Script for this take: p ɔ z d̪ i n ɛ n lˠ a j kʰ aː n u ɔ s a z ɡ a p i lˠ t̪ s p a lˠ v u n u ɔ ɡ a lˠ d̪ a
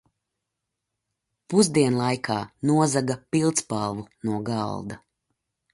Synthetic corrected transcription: p u z d̪ i ɛ n lˠ a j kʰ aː n u ɔ z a ɡ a p i lˠ t̪ s p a lˠ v u n u ɔ ɡ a lˠ d̪ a